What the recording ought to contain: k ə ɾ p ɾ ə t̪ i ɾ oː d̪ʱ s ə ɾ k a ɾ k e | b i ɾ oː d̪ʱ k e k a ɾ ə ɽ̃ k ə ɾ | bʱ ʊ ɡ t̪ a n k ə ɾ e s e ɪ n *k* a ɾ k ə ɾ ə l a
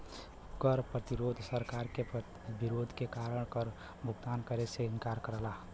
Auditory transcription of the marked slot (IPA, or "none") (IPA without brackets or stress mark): k